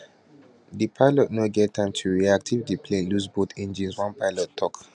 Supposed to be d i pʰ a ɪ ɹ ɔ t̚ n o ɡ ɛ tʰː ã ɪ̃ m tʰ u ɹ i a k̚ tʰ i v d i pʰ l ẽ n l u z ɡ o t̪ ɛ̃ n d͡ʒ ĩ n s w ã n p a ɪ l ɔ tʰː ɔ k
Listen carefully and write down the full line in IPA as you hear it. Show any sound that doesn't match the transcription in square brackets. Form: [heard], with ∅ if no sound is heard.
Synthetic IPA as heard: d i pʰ a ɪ [l] ɔ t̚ n o ɡ ɛ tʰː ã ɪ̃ m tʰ u ɹ i a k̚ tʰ i v d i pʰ l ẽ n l u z [b] o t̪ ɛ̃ n d͡ʒ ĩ n s w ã n p a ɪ l ɔ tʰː ɔ k